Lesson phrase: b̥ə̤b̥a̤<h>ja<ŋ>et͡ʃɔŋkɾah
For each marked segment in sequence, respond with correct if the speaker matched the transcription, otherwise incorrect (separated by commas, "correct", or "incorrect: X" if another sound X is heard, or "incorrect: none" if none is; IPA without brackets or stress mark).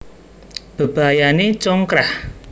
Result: incorrect: none, incorrect: n